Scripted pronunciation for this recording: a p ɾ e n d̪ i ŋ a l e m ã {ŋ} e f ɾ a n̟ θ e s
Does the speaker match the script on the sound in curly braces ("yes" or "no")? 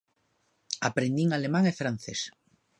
yes